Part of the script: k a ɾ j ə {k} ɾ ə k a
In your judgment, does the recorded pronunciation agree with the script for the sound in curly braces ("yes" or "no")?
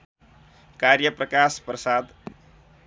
no